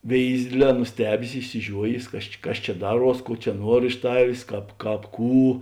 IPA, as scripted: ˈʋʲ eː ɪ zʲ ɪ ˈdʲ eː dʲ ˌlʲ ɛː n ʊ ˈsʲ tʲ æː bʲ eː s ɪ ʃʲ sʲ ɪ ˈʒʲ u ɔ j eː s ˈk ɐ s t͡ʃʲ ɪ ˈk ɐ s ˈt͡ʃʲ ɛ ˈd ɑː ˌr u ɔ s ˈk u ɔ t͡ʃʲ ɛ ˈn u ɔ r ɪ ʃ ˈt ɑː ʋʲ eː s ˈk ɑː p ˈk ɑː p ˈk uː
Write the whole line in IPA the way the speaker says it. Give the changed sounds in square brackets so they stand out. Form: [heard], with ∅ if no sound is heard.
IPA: ˈʋʲ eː ɪ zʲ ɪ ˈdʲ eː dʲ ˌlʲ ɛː n ʊ ˈsʲ tʲ æː bʲ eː s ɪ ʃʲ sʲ ɪ ˈʒʲ u ɔ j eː s ˈk ɐ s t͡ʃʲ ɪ ˈk ɐ s ˈt͡ʃʲ ɛ ˈd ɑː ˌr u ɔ s ˈk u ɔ t͡ʃʲ ɛ ˈn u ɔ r ɪ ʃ ˈt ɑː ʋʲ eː s ˈk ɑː p ˈk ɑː p ˈk uː